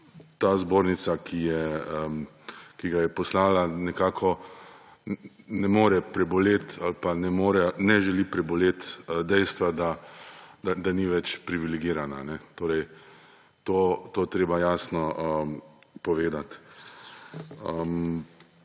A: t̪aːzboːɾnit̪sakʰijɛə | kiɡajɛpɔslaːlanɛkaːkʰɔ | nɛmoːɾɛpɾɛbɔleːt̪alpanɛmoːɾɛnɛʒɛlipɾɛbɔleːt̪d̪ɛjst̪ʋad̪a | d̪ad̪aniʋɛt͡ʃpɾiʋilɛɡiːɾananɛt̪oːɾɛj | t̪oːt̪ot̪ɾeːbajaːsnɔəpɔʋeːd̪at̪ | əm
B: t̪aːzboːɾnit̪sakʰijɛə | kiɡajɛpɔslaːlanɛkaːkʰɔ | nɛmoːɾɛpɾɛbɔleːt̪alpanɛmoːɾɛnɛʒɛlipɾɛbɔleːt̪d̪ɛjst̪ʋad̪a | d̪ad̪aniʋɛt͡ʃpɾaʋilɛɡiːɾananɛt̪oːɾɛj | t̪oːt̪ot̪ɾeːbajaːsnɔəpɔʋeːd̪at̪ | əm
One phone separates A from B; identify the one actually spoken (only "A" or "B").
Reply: A